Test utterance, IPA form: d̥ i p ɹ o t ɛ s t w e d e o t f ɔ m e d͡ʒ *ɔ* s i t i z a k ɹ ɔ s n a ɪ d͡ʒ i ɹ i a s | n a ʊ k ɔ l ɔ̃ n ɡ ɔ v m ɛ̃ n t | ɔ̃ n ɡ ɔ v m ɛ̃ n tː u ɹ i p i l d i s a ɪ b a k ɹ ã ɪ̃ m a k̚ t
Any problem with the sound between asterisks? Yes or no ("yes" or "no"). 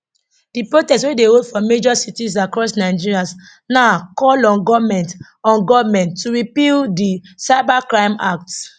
no